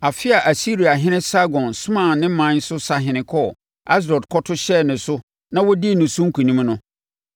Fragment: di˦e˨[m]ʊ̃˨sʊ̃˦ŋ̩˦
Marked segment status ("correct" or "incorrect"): incorrect